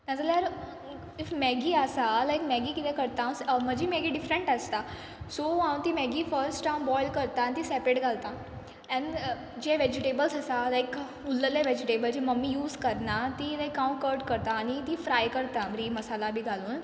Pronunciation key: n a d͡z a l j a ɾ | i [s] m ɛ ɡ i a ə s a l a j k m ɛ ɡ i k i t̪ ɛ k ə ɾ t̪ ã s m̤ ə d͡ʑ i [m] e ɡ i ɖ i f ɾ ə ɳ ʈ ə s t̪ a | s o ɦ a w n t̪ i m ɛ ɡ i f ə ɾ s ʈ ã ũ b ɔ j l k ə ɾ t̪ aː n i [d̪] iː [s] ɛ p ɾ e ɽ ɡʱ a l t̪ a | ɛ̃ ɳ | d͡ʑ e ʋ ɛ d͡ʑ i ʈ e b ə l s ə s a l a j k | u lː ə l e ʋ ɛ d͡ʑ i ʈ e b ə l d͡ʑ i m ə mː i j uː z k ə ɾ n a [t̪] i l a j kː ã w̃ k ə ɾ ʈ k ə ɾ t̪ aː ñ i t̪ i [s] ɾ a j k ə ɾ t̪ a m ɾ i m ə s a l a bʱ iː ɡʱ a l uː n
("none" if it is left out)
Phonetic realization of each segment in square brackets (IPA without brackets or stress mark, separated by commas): f, m, t̪, s, t̪, f